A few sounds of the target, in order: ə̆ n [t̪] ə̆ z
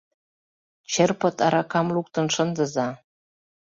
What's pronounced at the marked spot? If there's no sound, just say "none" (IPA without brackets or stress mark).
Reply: d̪